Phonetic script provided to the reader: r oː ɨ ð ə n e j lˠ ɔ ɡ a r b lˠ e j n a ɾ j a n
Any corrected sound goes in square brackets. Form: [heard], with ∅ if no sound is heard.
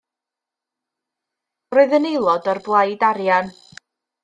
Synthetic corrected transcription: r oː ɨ ð ə n e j lˠ ɔ [d] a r b lˠ [a] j [d] a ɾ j a n

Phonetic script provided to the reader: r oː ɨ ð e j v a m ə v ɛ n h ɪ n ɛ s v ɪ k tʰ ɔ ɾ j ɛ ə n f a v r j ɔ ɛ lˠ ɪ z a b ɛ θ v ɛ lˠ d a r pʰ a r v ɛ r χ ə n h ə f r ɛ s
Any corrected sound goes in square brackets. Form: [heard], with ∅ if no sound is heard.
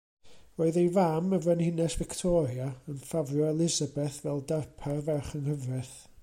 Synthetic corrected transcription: r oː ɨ ð e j v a m ə v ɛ n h ɪ n ɛ s v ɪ k tʰ ɔ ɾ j [a] ə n f a v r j ɔ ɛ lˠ ɪ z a b ɛ θ v ɛ lˠ d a r pʰ a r v ɛ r χ ə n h ə [v] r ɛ [θ]

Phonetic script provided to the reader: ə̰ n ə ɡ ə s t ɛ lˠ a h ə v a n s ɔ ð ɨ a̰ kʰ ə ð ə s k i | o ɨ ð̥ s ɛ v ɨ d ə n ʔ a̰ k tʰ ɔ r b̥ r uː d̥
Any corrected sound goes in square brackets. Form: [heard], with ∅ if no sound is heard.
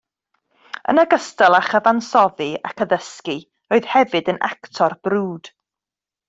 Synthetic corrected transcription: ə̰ n ə ɡ ə s t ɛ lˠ a [χ] ə v a n s ɔ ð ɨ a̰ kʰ ə ð ə s k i | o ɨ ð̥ [h] ɛ v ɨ d ə n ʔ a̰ k tʰ ɔ r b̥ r uː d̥

